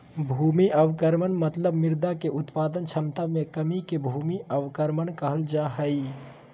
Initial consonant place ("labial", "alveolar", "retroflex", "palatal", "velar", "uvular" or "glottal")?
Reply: labial